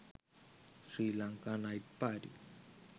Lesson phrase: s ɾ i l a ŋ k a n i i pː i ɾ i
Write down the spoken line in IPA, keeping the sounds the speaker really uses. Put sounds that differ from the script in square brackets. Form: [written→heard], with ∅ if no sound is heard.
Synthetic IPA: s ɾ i l a ŋ k a n [i→a] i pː [i→a] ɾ i

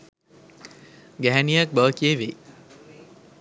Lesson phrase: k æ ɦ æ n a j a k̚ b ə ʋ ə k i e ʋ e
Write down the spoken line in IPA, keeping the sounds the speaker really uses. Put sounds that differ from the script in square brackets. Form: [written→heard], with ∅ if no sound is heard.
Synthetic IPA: [k→ɡ] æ ɦ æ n [a→i] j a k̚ b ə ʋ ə k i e ʋ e

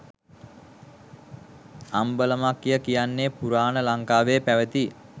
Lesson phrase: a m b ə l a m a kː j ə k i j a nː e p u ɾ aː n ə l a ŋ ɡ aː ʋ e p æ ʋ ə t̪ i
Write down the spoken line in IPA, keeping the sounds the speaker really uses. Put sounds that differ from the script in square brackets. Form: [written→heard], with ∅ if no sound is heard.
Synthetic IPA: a m b ə l [a→ə] m a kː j ə k i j a nː e p u ɾ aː n ə l a ŋ [ɡ→k] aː ʋ e p æ ʋ ə t̪ i

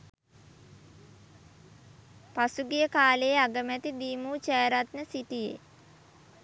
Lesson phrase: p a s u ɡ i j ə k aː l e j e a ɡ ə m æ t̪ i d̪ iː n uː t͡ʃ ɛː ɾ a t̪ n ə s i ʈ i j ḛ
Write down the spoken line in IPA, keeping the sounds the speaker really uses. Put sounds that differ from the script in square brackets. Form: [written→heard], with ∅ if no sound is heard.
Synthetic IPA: p a s u ɡ i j ə k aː l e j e a ɡ ə m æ t̪ i d̪ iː [n→m] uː t͡ʃ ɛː ɾ a t̪ n ə s i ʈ i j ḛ

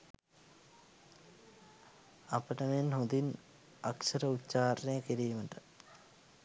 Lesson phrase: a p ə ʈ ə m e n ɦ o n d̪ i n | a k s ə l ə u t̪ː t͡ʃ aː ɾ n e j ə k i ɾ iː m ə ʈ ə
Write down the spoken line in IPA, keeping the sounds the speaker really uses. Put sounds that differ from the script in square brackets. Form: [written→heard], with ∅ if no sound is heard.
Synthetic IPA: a p ə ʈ ə m e n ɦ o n d̪ i n | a k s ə [l→ɾ] ə u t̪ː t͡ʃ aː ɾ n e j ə k i ɾ iː m ə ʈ ə

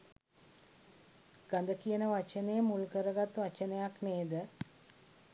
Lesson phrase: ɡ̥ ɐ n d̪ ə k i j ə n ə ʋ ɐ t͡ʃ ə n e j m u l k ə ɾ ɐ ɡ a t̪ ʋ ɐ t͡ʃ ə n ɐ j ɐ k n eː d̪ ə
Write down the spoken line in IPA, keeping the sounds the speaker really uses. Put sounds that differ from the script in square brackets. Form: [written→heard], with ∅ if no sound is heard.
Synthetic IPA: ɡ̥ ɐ n d̪ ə k i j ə n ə ʋ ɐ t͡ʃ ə n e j m u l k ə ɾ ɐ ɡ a t̪ ʋ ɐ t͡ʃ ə n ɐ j [ɐ→a] k n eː d̪ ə

